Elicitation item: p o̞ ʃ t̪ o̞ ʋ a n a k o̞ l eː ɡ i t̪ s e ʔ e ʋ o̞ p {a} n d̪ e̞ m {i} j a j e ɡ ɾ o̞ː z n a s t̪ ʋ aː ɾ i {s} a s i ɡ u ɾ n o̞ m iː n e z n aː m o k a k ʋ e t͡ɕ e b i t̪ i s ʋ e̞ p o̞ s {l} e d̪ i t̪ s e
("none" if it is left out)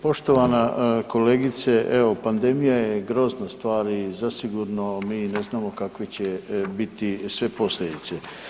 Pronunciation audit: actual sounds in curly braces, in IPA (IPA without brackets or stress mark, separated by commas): a, i, z, l